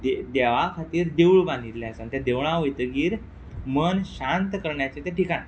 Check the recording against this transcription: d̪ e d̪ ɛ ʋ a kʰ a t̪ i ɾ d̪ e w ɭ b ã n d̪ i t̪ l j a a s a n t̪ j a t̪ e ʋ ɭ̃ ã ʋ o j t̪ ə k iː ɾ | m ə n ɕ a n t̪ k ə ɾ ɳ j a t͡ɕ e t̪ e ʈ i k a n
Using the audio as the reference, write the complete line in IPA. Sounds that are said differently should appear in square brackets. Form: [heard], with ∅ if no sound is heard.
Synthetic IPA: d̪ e d̪ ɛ ʋ a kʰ a t̪ [iː] ɾ d̪ e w ɭ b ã n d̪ i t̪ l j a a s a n t̪ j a [d̪] e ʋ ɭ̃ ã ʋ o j t̪ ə [ɡ] iː ɾ | m ə n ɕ a n t̪ k ə ɾ ɳ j a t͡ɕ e t̪ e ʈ i k a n